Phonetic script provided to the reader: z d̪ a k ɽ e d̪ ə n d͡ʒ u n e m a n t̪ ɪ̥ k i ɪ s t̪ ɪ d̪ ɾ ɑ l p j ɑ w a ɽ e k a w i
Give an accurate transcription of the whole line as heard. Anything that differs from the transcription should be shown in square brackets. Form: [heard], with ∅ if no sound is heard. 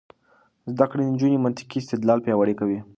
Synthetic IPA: z d̪ a k ɽ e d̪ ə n d͡ʒ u n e m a n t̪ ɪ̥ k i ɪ s t̪ ɪ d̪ [l] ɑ l p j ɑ w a ɽ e k a w i